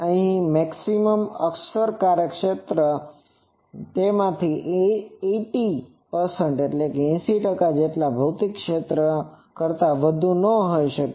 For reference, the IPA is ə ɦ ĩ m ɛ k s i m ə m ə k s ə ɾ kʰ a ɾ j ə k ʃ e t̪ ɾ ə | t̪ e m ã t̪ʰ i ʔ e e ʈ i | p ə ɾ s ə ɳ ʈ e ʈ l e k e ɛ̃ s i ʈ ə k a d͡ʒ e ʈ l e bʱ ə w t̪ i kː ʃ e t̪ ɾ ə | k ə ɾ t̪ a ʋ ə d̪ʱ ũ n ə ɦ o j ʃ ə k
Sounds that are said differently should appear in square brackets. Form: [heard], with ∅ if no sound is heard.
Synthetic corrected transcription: ə ɦ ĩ m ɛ k s i m ə m ə k s ə ɾ [k] a ɾ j ə k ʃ e t̪ ɾ ə | t̪ e m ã t̪ʰ i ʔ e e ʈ i | p ə ɾ s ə ɳ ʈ e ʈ l e k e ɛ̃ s i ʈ ə k a d͡ʒ e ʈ l [a] bʱ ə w t̪ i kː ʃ e t̪ ɾ ə | k ə ɾ t̪ a ʋ ə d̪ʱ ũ n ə ɦ o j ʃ ə k